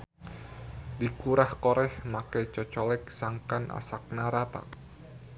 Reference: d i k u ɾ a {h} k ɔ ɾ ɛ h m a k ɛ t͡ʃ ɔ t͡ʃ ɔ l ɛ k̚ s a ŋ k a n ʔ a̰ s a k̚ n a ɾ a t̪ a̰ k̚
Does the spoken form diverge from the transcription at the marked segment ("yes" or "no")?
no